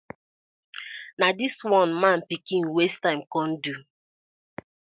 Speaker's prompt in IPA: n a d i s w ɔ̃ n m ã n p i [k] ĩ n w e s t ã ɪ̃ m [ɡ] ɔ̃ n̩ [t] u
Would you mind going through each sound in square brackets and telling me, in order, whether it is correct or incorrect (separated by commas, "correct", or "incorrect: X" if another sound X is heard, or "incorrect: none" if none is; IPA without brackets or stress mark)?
correct, incorrect: k, incorrect: d